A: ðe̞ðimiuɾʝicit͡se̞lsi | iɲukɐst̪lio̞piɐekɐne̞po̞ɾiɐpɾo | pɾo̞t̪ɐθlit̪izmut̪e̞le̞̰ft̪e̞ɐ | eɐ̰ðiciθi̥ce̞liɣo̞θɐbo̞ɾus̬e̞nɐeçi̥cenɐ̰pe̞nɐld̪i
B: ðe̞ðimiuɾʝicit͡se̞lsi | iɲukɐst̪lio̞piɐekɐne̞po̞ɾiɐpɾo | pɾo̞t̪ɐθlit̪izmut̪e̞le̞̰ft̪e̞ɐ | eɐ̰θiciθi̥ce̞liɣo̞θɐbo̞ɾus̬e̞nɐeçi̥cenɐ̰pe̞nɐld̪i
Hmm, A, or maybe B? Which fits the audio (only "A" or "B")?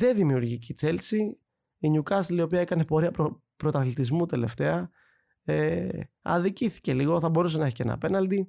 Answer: A